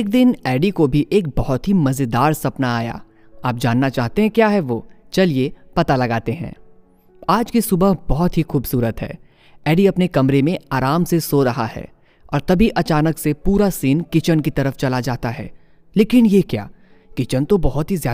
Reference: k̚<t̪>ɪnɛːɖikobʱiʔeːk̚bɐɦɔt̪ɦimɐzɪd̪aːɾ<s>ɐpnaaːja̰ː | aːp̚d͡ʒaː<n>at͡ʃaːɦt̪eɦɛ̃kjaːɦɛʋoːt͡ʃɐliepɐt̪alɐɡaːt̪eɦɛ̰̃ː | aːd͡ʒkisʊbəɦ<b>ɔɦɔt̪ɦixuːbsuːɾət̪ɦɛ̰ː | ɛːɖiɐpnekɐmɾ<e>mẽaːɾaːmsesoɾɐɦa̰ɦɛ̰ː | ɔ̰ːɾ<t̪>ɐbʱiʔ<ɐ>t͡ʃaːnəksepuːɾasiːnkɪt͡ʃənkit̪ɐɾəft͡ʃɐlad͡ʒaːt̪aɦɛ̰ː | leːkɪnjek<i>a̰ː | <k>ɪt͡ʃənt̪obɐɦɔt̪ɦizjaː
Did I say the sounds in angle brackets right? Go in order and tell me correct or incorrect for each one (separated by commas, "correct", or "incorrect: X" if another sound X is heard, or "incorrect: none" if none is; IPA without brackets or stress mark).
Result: incorrect: d̪, correct, incorrect: nː, correct, correct, correct, correct, incorrect: j, correct